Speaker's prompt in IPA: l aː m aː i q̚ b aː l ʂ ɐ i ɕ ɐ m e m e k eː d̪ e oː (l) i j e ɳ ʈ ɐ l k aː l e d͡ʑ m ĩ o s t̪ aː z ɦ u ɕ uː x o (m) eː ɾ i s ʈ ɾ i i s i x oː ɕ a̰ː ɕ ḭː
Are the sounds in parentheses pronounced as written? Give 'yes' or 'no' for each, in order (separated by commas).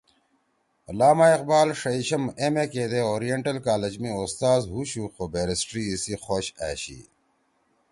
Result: no, no